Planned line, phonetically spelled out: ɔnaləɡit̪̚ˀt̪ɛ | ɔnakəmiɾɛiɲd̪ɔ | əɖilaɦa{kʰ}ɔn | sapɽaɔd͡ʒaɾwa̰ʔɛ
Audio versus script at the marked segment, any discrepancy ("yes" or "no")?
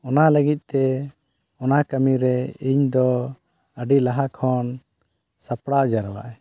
no